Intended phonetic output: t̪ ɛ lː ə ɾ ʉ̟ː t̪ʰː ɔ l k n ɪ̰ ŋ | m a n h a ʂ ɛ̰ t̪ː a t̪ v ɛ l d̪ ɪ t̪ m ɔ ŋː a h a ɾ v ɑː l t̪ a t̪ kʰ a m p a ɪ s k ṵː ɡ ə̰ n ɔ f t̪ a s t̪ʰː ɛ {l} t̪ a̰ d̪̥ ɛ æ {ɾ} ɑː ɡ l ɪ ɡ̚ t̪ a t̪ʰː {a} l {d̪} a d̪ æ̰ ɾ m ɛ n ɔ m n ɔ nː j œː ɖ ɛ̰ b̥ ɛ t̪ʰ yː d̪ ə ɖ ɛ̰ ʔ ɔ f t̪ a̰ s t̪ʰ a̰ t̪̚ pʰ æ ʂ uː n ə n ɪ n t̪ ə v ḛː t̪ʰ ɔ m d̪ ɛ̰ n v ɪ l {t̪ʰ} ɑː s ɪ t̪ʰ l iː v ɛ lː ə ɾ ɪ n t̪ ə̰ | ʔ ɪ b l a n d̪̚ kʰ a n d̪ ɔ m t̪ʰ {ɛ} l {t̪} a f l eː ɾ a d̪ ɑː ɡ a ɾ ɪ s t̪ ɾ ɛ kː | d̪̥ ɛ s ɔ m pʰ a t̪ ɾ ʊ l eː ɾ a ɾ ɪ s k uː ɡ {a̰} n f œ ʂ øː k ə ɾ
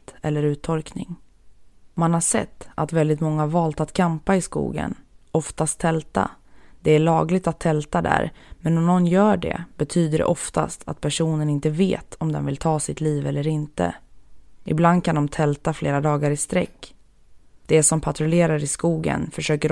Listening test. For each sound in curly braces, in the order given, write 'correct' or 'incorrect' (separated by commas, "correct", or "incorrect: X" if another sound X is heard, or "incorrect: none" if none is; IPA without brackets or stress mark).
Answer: correct, incorrect: ɭ, incorrect: ɛ, incorrect: t̪, correct, correct, correct, incorrect: ə̰